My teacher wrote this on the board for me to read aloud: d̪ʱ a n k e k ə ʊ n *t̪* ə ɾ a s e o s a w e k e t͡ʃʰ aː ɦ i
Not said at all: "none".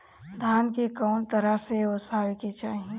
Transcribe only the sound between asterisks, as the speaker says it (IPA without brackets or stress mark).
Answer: t̪